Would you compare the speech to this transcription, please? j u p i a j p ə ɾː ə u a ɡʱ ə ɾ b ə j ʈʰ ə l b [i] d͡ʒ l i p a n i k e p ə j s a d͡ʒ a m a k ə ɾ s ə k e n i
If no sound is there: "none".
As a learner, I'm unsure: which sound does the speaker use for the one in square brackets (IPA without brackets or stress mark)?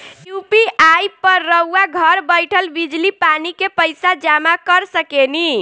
i